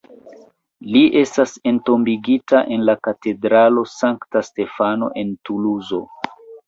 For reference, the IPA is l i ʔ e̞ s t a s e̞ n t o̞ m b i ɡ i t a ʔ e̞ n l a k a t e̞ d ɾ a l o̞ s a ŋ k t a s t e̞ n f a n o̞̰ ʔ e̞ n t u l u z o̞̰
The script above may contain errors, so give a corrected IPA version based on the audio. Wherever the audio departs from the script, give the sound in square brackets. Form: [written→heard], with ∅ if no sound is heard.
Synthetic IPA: l i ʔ e̞ s t a s e̞ n t o̞ m b i ɡ i t a ʔ e̞ n l a k a t e̞ d ɾ a l o̞ s a ŋ k t a s t e̞ [n→∅] f a n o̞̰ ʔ e̞ n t u l u z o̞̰